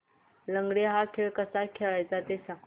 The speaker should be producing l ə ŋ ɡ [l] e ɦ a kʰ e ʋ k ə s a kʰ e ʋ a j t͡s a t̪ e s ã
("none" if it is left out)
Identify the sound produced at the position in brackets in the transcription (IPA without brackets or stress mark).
ɽ